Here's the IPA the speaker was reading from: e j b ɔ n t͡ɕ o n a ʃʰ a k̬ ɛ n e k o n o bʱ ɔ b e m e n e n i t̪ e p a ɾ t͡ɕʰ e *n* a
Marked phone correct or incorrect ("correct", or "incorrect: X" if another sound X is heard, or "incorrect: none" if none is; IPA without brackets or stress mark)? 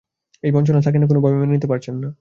incorrect: nː